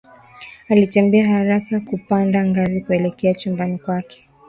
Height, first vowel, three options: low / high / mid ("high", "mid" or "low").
low